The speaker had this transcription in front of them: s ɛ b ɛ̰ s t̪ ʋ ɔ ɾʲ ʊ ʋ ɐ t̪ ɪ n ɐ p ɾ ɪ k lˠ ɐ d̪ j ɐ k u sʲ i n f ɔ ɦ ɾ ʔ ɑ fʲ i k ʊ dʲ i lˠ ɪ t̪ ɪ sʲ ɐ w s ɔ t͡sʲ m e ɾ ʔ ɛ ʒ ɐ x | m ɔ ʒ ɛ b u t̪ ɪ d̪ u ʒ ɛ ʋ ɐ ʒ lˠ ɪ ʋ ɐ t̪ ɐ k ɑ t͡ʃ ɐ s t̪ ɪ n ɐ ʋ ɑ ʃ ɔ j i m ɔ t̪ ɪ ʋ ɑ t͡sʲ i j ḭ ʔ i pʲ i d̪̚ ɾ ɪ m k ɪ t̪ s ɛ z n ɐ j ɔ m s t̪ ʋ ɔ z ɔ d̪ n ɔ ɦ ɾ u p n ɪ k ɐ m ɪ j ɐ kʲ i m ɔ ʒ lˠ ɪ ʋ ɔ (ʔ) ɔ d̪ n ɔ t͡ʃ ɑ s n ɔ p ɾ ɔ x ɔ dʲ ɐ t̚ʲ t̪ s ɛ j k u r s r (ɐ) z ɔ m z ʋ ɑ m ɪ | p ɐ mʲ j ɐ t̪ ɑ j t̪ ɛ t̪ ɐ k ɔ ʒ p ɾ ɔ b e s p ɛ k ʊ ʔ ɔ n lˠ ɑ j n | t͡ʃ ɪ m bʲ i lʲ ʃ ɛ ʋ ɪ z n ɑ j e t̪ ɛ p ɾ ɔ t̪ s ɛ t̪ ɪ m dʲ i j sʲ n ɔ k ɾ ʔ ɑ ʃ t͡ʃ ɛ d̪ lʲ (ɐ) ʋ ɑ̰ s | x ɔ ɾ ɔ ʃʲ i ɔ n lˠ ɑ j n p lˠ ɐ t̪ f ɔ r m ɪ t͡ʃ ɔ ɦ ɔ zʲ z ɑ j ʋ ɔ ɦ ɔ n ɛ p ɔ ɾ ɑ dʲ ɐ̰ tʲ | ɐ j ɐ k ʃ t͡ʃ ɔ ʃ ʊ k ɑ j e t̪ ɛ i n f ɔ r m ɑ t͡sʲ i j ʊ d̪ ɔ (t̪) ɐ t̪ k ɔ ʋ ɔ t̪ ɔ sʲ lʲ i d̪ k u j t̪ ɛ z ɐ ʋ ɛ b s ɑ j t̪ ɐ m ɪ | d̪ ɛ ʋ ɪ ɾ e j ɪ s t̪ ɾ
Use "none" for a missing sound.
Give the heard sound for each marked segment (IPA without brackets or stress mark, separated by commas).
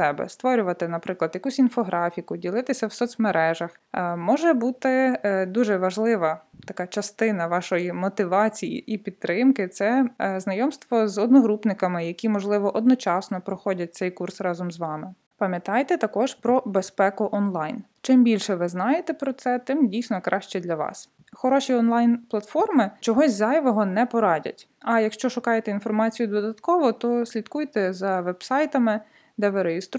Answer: ʔ, ɑ, ɐ, d̪